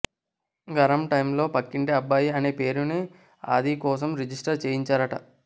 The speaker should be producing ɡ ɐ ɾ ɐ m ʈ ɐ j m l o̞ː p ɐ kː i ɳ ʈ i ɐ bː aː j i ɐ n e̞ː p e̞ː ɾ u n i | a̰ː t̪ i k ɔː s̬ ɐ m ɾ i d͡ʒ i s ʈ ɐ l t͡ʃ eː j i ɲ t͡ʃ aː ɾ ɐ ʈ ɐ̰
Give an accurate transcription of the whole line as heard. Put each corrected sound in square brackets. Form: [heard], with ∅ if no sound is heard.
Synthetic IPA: ɡ ɐ ɾ ɐ m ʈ ɐ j m l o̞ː p ɐ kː i ɳ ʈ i ɐ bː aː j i ɐ n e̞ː p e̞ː ɾ u n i | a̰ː [d̪] i k ɔː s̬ ɐ m ɾ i d͡ʒ i s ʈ ɐ [ɾ] t͡ʃ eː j i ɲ t͡ʃ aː ɾ ɐ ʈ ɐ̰